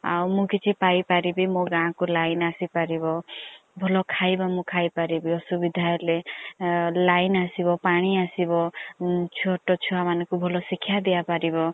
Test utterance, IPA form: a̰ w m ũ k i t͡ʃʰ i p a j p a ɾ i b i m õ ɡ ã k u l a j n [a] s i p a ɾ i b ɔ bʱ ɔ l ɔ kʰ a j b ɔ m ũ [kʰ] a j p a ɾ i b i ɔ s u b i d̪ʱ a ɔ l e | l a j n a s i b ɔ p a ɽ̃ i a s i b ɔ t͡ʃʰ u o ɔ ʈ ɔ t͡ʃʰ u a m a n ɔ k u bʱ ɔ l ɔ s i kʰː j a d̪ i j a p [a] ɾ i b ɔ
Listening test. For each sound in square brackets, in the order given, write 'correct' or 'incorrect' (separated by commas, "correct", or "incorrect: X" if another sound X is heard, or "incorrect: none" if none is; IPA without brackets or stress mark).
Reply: correct, correct, correct